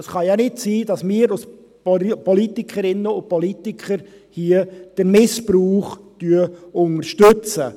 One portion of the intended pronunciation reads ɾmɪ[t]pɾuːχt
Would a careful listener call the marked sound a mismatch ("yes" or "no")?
yes